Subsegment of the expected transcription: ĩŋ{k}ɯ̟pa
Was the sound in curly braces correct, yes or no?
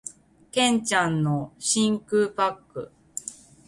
yes